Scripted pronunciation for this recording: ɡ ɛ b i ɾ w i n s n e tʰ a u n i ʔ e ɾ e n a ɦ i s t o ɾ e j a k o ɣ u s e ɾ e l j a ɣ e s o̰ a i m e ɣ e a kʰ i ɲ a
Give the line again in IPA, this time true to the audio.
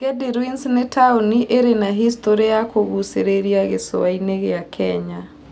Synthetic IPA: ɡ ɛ d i ɾ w i n s n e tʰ a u n i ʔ e ɾ e n a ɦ i s t o ɾ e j a k o ɣ u s e ɾ e ɾ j a ɣ e s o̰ a i n e ɣ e a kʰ ɛ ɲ a